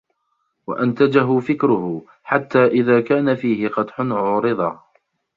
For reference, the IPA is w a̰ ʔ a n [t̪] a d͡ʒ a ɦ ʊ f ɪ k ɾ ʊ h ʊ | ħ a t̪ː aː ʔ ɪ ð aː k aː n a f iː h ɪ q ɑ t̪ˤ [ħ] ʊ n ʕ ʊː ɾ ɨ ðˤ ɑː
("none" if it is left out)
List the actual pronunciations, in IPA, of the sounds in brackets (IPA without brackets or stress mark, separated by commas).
t̪, ħ